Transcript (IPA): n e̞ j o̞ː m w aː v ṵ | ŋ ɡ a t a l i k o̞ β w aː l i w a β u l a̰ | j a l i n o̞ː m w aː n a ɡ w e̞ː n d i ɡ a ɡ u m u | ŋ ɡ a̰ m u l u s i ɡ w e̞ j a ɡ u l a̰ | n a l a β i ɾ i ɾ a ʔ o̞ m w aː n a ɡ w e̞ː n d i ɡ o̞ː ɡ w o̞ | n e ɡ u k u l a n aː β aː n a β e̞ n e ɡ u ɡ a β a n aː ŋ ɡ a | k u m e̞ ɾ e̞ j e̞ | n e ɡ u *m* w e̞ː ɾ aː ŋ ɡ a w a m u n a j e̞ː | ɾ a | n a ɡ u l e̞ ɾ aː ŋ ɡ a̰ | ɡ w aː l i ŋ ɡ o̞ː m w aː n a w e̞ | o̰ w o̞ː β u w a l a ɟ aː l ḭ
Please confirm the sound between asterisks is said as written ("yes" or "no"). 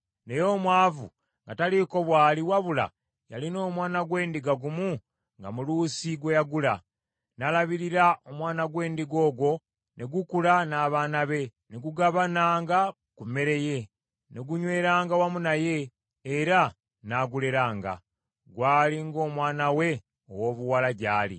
no